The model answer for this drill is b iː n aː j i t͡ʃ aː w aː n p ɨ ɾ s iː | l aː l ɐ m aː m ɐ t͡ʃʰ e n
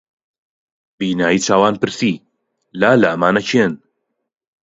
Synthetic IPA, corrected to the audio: b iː n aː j i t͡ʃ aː w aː n p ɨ ɾ s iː | l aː l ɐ m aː n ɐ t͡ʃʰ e n